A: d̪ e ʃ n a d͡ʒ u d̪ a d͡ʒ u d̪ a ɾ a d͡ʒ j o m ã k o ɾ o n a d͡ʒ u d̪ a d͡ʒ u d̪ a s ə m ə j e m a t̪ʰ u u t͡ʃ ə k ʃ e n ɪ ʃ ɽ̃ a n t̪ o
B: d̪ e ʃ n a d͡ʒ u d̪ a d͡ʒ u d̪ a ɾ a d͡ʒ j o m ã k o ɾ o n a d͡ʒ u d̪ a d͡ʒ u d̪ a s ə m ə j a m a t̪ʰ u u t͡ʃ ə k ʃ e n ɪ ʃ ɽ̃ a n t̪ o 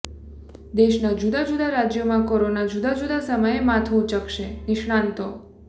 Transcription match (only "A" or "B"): A